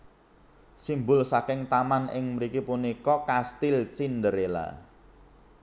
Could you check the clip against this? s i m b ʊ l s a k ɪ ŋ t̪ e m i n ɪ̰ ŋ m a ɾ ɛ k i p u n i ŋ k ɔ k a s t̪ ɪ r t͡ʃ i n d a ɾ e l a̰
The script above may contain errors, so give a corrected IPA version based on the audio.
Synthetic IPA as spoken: s i m b ʊ l s a k ɪ ŋ t̪ a m a n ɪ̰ ŋ m ə ɾ i k i p u n i k ɔ k a s t̪ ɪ l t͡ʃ i n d ə ɾ e l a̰